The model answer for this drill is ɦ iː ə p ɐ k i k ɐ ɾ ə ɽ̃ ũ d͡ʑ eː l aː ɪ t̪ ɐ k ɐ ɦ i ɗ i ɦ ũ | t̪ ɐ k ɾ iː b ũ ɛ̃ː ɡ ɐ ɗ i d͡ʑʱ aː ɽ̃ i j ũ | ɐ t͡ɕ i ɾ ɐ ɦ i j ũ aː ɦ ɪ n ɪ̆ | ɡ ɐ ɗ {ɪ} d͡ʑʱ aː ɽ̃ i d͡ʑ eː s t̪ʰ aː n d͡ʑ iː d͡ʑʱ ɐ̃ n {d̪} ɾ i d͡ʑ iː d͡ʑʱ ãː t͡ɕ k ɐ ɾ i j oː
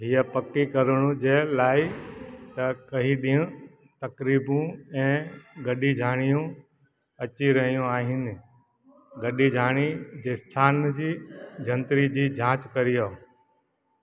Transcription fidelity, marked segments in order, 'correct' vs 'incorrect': incorrect, incorrect

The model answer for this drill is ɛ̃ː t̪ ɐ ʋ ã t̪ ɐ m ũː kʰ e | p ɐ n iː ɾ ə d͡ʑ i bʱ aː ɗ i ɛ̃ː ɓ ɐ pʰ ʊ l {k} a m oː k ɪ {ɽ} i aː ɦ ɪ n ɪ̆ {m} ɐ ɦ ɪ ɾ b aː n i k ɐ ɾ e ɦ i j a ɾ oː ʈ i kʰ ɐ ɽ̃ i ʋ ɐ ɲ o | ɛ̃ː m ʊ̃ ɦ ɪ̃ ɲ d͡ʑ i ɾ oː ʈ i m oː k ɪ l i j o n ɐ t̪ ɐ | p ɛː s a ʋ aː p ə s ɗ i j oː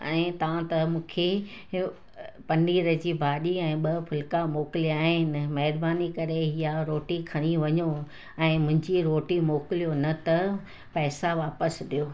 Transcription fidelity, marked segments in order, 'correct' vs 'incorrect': correct, incorrect, correct

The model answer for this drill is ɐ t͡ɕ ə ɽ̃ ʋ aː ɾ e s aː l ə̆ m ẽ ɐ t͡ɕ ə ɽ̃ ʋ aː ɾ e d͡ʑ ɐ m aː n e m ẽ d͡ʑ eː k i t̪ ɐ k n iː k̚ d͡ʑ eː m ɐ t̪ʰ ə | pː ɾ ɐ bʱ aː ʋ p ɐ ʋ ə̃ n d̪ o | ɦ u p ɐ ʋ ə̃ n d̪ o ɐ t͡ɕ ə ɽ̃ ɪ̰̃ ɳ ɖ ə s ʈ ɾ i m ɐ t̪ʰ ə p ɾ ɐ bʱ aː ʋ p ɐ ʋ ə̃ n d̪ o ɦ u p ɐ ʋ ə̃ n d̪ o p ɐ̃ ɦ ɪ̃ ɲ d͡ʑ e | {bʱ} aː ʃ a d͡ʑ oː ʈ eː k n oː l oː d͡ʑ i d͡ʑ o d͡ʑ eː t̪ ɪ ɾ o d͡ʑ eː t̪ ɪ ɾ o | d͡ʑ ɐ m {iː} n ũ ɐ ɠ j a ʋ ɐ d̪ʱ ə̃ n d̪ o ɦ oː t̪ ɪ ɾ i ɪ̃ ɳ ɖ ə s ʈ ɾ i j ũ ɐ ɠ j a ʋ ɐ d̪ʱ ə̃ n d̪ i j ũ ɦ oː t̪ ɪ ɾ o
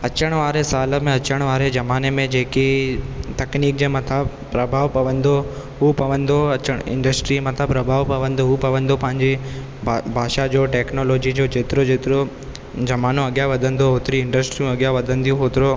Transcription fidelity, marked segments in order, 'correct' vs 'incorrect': correct, incorrect

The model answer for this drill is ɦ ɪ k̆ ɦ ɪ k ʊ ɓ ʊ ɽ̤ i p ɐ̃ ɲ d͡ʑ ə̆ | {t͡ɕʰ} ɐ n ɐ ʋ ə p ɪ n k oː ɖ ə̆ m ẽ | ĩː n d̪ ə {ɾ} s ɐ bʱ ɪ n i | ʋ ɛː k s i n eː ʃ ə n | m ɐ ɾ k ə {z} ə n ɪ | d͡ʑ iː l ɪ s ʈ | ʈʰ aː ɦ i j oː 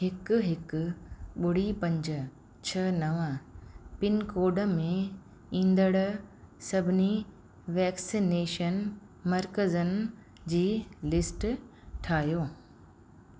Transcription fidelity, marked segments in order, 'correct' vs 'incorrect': correct, incorrect, correct

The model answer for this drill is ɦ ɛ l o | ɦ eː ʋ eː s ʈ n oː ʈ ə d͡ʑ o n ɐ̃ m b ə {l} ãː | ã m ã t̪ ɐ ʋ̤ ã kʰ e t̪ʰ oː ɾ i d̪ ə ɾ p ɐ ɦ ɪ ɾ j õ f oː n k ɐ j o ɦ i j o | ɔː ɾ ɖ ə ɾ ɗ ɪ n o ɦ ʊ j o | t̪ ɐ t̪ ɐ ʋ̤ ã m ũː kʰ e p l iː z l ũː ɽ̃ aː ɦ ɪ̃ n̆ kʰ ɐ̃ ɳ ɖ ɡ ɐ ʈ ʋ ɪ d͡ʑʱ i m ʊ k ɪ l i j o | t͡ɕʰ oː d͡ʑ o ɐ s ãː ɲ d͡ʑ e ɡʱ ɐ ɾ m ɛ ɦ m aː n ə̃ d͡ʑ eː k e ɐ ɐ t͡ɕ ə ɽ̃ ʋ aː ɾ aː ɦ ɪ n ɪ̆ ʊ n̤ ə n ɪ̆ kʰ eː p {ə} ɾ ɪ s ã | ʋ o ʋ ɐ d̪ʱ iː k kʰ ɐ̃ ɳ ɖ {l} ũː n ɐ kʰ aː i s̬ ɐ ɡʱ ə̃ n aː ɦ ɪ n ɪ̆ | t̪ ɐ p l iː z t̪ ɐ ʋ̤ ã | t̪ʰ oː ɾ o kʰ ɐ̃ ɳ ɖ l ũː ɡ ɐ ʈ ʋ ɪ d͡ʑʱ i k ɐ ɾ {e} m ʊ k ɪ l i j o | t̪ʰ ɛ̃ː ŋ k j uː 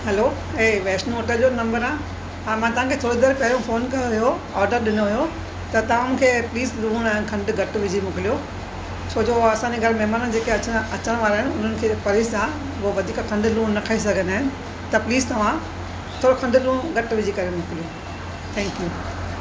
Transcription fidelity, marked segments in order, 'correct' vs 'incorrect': incorrect, incorrect, correct, correct

